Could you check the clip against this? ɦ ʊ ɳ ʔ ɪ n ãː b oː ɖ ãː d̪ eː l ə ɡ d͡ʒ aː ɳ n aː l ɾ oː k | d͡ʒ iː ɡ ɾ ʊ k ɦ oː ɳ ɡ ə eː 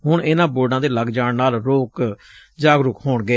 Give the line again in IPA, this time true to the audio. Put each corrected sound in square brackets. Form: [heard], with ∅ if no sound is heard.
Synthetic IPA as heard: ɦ ʊ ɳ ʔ ɪ n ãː b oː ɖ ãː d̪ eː l ə ɡ d͡ʒ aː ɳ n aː l ɾ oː k | d͡ʒ [aː] ɡ ɾ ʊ k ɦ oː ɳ ɡ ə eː

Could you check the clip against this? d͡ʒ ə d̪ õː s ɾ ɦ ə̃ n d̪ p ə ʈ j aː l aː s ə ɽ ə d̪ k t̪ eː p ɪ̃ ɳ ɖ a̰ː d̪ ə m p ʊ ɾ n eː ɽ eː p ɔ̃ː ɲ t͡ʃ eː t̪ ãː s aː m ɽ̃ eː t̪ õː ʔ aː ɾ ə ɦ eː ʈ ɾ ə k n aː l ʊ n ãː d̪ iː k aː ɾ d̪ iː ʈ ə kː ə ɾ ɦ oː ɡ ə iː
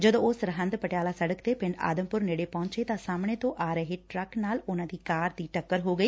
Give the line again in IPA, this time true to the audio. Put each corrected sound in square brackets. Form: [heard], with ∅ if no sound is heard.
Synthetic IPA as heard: d͡ʒ ə d̪ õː s ɾ ɦ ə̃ n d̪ p ə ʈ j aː l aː s ə ɽ ə [∅] k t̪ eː p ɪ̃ ɳ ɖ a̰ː d̪ ə m p ʊ ɾ n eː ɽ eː p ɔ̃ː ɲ t͡ʃ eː t̪ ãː s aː m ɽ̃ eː t̪ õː ʔ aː ɾ ə ɦ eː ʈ ɾ ə k n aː l ʊ n ãː d̪ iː k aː ɾ d̪ iː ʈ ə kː ə ɾ ɦ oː ɡ ə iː

